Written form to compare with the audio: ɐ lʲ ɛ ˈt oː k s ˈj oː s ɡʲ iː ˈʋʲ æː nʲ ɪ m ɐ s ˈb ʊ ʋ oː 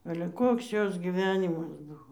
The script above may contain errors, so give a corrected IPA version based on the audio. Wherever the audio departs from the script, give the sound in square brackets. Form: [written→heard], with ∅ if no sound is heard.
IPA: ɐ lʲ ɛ [ˈt→ˈk] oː k s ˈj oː s ɡʲ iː ˈʋʲ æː nʲ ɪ m ɐ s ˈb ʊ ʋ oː